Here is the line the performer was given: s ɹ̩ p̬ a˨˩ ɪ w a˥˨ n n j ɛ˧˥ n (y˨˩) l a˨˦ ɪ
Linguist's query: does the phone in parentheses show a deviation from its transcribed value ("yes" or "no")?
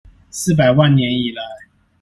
yes